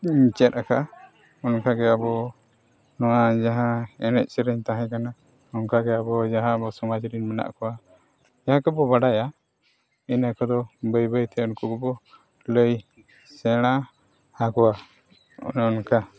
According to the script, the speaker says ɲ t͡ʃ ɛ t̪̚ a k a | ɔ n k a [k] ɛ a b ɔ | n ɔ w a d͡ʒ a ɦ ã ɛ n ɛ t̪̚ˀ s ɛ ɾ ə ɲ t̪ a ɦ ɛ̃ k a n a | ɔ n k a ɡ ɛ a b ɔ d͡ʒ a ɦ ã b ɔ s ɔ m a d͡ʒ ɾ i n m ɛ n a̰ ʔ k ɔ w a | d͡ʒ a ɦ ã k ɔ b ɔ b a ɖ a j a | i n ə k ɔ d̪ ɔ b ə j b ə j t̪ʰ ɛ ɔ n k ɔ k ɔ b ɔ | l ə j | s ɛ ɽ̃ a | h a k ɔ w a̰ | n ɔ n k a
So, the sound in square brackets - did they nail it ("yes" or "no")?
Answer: no